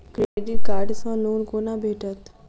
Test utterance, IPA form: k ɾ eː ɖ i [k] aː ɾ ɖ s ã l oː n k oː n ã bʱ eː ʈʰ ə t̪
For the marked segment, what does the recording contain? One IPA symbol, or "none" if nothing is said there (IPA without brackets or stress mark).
k